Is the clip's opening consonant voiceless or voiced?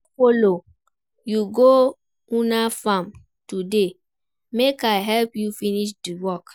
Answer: voiceless